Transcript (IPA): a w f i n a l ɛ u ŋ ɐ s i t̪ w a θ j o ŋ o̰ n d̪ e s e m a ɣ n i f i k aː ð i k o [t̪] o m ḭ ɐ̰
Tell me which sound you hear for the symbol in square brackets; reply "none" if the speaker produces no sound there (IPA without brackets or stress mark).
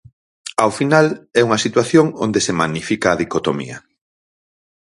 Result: t̪